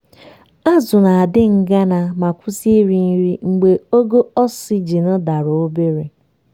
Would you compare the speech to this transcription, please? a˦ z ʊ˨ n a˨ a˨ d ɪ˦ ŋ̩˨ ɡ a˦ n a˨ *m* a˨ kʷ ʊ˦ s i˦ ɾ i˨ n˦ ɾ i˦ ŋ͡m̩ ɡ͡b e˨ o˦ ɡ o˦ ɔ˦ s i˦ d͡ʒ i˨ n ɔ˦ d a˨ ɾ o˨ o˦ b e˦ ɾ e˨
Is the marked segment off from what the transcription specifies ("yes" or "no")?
no